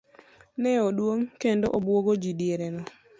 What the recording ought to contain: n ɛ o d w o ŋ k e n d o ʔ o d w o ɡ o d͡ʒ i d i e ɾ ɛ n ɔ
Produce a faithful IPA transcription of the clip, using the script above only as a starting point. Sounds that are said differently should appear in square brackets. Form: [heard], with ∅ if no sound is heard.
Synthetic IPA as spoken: n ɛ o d w o ŋ k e n d o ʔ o [b] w o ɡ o d͡ʒ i d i e ɾ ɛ n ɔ